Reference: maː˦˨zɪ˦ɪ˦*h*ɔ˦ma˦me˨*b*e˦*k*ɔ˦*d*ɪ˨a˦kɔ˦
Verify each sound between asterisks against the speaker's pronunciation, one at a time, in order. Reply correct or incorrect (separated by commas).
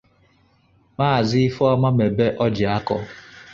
incorrect, correct, incorrect, incorrect